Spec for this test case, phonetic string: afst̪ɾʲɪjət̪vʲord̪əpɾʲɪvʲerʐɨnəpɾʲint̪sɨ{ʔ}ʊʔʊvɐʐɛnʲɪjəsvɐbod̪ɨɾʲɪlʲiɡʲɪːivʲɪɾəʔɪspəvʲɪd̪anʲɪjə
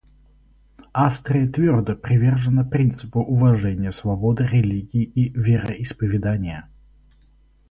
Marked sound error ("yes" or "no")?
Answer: yes